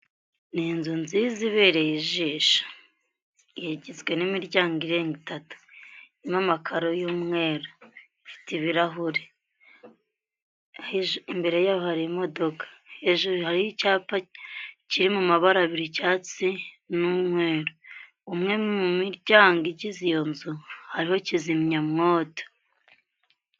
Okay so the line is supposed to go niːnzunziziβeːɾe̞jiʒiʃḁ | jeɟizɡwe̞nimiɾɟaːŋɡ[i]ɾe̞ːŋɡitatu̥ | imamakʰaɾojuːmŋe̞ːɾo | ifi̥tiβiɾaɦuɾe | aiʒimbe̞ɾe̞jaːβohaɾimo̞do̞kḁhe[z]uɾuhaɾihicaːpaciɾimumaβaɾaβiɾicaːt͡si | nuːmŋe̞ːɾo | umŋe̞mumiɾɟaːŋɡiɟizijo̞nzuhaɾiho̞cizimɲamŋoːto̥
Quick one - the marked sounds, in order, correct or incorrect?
correct, incorrect: ʒ

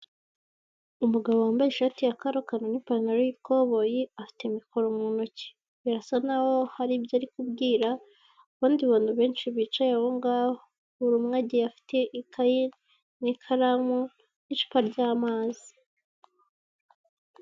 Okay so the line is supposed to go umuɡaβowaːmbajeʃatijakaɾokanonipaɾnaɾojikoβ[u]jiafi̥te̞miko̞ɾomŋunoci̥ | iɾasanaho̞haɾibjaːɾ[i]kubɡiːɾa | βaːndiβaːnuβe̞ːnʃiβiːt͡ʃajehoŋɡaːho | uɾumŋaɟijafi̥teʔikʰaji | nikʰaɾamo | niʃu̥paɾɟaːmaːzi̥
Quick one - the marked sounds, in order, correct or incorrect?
incorrect: o, correct

